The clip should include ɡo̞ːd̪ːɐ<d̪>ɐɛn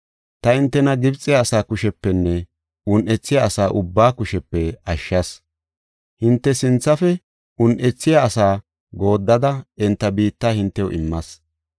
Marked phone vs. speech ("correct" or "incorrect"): correct